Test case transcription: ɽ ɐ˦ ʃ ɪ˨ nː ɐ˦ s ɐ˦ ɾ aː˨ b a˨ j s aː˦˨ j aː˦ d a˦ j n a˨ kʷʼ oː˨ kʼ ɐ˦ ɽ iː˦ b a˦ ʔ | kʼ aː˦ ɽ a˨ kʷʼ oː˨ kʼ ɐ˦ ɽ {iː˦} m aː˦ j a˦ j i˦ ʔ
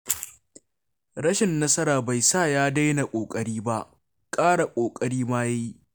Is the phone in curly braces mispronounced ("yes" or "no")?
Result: no